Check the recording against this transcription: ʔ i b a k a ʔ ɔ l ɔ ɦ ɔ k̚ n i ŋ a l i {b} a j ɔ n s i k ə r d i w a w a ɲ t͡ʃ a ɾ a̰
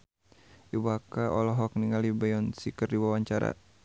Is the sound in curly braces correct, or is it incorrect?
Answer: correct